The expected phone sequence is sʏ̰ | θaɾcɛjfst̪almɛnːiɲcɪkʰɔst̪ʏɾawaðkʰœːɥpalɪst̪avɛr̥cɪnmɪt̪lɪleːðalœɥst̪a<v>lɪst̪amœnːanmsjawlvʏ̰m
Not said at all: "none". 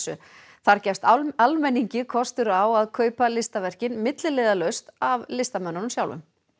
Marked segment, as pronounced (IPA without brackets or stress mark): v